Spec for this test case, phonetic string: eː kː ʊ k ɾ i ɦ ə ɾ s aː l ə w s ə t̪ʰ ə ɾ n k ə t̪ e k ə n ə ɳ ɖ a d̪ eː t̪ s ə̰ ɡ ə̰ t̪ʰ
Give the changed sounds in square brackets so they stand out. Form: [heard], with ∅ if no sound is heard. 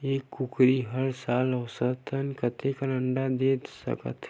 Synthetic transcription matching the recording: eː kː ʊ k ɾ i ɦ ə ɾ s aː l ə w s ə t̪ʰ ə [∅] n k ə t̪ e k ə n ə ɳ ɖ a d̪ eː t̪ s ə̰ [k] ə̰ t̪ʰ